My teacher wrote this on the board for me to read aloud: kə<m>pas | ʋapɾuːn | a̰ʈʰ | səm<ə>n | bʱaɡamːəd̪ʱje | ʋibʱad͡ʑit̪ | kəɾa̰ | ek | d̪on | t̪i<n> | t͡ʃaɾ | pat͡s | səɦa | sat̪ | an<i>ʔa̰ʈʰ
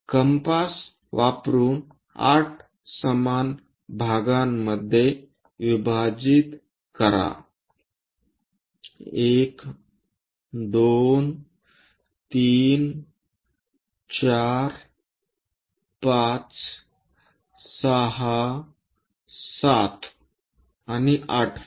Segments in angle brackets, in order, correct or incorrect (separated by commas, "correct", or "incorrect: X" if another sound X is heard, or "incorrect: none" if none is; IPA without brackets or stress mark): correct, incorrect: a, correct, correct